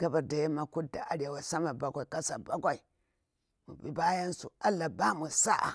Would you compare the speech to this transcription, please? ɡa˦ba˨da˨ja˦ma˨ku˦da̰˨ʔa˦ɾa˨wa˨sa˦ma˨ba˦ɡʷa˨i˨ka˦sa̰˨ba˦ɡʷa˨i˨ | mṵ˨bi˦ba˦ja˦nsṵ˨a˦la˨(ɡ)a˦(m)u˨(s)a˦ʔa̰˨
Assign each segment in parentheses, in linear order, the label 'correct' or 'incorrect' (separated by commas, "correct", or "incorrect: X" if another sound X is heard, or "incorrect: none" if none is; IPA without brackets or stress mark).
incorrect: b, correct, correct